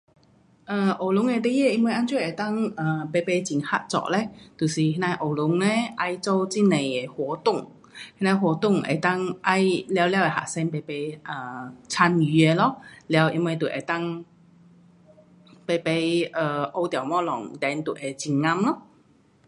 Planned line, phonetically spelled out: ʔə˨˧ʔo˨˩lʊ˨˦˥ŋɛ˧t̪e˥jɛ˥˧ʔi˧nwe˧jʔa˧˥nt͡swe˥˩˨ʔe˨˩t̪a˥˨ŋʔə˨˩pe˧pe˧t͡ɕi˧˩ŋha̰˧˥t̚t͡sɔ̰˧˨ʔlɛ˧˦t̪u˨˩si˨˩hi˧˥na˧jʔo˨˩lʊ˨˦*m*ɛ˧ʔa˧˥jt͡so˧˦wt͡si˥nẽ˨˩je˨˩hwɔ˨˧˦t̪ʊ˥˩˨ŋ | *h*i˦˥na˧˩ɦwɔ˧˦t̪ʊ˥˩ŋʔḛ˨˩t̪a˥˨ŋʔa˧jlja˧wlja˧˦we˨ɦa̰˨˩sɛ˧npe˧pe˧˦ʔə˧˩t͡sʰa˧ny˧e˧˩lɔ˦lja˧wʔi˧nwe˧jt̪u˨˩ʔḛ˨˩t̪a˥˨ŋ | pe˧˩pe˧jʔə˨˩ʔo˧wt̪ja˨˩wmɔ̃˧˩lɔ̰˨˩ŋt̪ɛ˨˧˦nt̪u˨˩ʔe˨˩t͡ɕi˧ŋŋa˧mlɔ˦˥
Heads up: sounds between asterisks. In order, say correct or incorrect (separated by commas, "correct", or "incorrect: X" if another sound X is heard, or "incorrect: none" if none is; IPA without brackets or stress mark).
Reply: incorrect: ŋ, correct